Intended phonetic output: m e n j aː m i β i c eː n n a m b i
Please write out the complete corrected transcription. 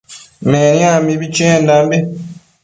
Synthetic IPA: m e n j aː m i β i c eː n d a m b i